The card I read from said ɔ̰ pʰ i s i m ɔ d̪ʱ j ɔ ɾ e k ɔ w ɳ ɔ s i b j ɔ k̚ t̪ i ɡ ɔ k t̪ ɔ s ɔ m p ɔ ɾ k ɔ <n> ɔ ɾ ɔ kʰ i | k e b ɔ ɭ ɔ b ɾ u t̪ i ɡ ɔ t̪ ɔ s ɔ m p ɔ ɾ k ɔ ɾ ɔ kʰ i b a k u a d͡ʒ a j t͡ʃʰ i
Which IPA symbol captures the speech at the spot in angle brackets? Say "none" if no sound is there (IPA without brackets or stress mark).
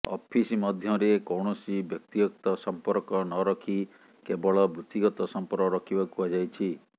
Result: n